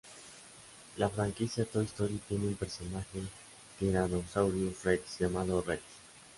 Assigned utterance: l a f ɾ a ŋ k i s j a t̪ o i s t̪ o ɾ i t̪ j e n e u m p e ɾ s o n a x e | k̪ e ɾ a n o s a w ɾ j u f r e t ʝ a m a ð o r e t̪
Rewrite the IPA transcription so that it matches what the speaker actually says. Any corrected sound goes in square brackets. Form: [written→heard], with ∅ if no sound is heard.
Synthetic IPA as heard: l a f ɾ a ŋ k i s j a t̪ o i s t̪ o ɾ i t̪ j e n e u m p e ɾ s o n a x e | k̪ e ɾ a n o s a w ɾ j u f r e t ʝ a m a ð o r e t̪

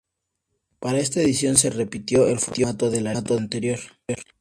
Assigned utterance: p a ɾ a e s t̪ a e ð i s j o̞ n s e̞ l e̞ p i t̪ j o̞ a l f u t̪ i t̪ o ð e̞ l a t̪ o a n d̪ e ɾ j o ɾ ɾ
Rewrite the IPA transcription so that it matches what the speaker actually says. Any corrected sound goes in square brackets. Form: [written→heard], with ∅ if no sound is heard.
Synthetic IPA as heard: p a ɾ a e s t̪ a e ð i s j o̞ n s e̞ [l→r] e̞ p i t̪ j o̞ [a→e] l f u t̪ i t̪ o ð e̞ l a t̪ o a n [d̪→t̪] e ɾ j o ɾ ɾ

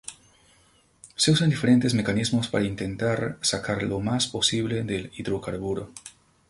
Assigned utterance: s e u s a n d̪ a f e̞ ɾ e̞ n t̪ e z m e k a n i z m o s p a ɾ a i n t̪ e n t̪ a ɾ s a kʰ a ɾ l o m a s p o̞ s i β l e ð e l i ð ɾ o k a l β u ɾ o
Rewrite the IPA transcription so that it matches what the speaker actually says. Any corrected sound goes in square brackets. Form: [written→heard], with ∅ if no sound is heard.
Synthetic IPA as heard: s e u s a n d̪ [a→i] f e̞ ɾ e̞ n t̪ e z m e k a n i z m o s p a ɾ a i n t̪ e n t̪ a ɾ s a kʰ a ɾ l o m a s p o̞ s i β l e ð e l i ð ɾ o k a [l→ɾ] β u ɾ o

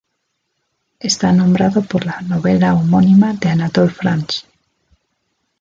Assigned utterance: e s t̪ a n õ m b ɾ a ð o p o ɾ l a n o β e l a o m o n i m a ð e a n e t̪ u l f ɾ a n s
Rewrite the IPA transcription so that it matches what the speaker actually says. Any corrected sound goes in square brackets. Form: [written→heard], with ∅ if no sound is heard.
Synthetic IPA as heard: e s t̪ a n õ m b ɾ a ð o p o ɾ l a n o β e l a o m o n i m a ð e a n [e→a] t̪ [u→o] l f ɾ a n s

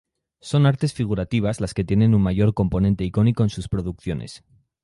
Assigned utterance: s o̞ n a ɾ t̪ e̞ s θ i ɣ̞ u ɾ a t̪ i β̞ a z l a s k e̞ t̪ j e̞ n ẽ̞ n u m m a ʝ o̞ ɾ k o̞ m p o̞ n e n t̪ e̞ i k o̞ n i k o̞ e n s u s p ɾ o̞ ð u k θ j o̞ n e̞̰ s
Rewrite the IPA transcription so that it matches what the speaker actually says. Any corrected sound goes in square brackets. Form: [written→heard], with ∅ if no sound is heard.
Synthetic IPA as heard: s o̞ n a ɾ t̪ e̞ s [θ→f] i ɣ̞ u ɾ a t̪ i β̞ a z l a s k e̞ t̪ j e̞ n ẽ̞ n u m m a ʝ o̞ ɾ k o̞ m p o̞ n e n t̪ e̞ i k o̞ n i k o̞ e n s u s p ɾ o̞ ð u k θ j o̞ n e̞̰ s

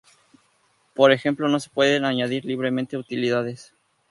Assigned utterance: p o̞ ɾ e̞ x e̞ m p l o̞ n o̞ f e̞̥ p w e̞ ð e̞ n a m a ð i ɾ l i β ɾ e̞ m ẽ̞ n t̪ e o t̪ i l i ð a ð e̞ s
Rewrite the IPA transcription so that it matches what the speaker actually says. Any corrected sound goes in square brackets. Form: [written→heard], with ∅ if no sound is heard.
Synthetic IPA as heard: p o̞ ɾ e̞ x e̞ m p l o̞ n o̞ [f→s] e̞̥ p w e̞ ð e̞ n a [m→ɲ] a ð i ɾ l i β ɾ e̞ m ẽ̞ n t̪ e [o→u] t̪ i l i ð a ð e̞ s

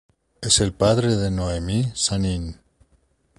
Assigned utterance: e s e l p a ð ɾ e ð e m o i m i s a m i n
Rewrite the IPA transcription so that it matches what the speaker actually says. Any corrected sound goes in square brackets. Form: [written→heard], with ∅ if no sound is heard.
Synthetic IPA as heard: e s e l p a ð ɾ e ð e [m→n] o [i→e] m i s a [m→n] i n

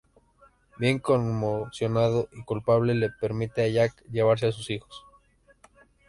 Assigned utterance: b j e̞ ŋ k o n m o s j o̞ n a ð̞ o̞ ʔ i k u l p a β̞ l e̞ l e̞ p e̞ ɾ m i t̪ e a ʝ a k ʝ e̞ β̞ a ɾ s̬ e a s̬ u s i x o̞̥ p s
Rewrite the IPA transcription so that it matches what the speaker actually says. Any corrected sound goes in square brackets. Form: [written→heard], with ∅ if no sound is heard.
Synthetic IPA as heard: b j e̞ ŋ k o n m o s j o̞ n a ð̞ o̞ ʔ i k u l p a β̞ l e̞ l e̞ p e̞ ɾ m i t̪ e a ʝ a k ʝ e̞ β̞ a ɾ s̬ e a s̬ u s i x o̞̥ [p→∅] s

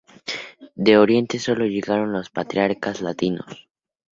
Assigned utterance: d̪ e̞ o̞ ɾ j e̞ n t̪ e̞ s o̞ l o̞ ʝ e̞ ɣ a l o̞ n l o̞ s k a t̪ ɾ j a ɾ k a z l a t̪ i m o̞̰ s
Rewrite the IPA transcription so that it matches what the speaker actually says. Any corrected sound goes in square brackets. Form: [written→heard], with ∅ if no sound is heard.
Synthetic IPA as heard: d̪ e̞ o̞ ɾ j e̞ n t̪ e̞ s o̞ l o̞ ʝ e̞ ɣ a [l→ɾ] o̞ n l o̞ s [k→p] a t̪ ɾ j a ɾ k a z l a t̪ i [m→n] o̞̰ s

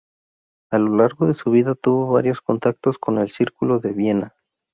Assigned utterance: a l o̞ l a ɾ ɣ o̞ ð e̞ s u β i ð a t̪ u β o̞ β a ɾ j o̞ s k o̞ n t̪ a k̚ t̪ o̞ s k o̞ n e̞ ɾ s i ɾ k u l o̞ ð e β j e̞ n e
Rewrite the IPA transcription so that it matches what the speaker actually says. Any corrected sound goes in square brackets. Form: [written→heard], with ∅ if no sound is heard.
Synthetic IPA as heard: a l o̞ l a ɾ ɣ o̞ ð e̞ s u β i ð a t̪ u β o̞ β a ɾ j o̞ s k o̞ n t̪ a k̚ t̪ o̞ s k o̞ n e̞ [ɾ→l] s i ɾ k u l o̞ ð e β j e̞ n [e→a]

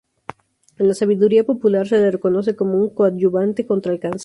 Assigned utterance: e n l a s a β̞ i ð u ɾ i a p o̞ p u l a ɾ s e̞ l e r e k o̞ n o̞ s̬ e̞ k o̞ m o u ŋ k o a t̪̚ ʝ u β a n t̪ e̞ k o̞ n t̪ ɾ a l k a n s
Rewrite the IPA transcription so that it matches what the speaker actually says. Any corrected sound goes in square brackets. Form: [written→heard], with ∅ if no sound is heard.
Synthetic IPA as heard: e n l a s a β̞ i ð u ɾ i a p o̞ p u l a ɾ s e̞ l e r e k o̞ n o̞ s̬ e̞ k o̞ m o u ŋ k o a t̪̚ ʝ u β a n t̪ e̞ k o̞ n t̪ ɾ a l k a n s

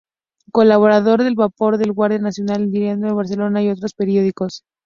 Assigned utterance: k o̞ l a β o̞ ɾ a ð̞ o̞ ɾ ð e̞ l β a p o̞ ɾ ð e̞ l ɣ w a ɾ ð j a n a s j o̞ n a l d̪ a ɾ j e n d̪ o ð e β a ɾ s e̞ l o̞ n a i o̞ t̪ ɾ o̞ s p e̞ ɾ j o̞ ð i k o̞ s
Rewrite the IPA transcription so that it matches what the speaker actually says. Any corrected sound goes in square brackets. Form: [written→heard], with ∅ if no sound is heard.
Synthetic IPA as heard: k o̞ l a β o̞ ɾ a ð̞ o̞ ɾ ð e̞ l β a p o̞ ɾ ð e̞ l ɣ w a ɾ ð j a n a s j o̞ n a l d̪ [a→i] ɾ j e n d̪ o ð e β a ɾ s e̞ l o̞ n a i o̞ t̪ ɾ o̞ s p e̞ ɾ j o̞ ð i k o̞ s

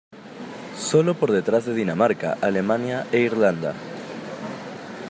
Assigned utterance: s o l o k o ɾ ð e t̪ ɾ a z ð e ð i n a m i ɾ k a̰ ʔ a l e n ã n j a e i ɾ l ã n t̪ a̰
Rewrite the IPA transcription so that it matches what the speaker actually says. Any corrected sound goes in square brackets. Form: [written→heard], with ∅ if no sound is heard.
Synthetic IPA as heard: s o l o [k→p] o ɾ ð e t̪ ɾ a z ð e ð i n a m [i→a] ɾ k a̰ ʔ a l e [n→m] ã n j a e i ɾ l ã n [t̪→d̪] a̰

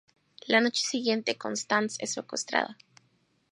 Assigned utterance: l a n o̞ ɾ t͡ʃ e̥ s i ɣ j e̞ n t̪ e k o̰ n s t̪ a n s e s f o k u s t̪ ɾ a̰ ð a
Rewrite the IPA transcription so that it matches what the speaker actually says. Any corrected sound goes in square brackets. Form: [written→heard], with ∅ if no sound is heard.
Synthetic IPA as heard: l a n o̞ [ɾ→∅] t͡ʃ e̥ s i ɣ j e̞ n t̪ e k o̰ n s t̪ a n s e s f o k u s t̪ ɾ a̰ ð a

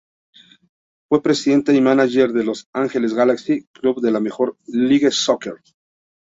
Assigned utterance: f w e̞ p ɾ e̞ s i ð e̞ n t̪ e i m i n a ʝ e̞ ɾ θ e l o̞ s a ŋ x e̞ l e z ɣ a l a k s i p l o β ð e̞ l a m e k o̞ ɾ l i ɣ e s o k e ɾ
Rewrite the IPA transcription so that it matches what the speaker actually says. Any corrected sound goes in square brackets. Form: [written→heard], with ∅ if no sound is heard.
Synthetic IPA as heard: f w e̞ p ɾ e̞ s i ð e̞ n t̪ e i m [i→a] n a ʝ e̞ ɾ [θ→ð] e l o̞ s a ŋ x e̞ l e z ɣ a l a k s i [p→k] l [o→u] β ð e̞ l a m e [k→x] o̞ ɾ l i ɣ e s o k e ɾ

